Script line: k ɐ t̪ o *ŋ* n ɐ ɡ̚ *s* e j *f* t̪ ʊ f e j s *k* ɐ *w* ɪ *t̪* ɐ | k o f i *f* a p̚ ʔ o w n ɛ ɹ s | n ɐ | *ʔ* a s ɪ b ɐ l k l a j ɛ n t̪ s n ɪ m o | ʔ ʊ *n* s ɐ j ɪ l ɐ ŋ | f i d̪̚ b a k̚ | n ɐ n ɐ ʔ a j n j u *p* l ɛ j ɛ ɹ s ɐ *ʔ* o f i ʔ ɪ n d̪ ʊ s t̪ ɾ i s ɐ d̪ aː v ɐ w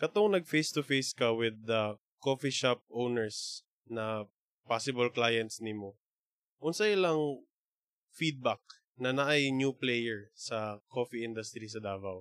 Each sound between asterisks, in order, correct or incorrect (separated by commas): correct, incorrect, incorrect, correct, correct, incorrect, incorrect, incorrect, correct, correct, incorrect